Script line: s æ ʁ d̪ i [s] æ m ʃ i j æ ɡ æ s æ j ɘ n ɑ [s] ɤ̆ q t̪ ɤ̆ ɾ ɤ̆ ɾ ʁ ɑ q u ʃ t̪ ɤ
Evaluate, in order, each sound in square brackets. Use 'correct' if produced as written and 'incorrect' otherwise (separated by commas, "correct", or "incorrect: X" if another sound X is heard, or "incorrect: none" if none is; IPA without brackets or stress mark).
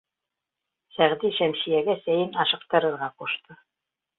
incorrect: ʃ, incorrect: ʃ